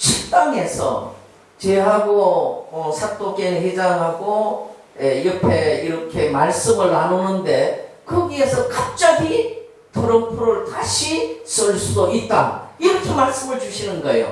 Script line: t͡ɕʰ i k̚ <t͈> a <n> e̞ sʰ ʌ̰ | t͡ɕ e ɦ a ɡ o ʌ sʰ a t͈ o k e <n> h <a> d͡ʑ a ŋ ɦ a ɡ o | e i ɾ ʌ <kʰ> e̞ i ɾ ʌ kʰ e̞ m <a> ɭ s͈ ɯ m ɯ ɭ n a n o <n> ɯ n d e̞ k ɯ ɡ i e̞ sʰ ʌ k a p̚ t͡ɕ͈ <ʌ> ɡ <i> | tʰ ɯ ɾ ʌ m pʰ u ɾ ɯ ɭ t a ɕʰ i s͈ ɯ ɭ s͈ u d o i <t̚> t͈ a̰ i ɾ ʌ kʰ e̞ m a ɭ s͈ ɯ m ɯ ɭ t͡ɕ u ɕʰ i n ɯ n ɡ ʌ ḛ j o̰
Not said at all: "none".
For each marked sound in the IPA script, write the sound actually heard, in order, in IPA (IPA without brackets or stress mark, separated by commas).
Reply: t͈, ŋ, n, e, pʰ, a, n, a, i, t̚